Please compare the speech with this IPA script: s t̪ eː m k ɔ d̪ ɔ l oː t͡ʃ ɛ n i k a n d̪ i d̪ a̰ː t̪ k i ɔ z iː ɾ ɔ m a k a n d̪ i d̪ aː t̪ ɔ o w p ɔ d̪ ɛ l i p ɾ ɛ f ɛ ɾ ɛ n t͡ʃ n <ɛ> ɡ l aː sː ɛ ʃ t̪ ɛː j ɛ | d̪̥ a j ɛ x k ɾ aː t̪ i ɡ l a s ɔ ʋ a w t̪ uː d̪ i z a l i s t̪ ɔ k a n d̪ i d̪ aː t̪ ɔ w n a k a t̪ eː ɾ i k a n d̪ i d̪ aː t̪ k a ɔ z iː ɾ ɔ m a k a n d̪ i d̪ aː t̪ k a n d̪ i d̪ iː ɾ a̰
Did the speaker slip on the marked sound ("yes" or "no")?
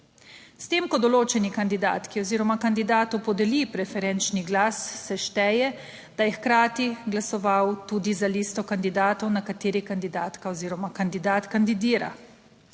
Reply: yes